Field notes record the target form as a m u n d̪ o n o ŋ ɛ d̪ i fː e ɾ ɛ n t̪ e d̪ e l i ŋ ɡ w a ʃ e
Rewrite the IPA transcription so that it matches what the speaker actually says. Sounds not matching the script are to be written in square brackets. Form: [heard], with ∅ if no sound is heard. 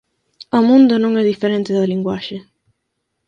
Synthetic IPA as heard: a m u n d̪ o n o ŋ ɛ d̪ i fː e ɾ ɛ n t̪ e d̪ [a] l i ŋ ɡ w a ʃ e